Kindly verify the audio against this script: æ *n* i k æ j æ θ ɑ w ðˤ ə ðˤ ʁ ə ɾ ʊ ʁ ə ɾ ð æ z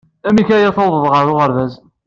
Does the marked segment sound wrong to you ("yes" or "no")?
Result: yes